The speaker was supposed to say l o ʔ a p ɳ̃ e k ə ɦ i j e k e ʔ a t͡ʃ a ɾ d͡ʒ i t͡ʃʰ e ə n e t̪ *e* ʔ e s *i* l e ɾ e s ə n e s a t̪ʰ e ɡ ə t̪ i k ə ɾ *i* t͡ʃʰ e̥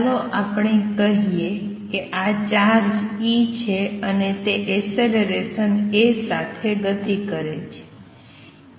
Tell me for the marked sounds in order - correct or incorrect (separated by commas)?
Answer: correct, incorrect, incorrect